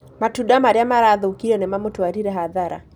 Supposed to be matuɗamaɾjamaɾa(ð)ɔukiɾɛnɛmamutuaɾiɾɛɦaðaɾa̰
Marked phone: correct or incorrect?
correct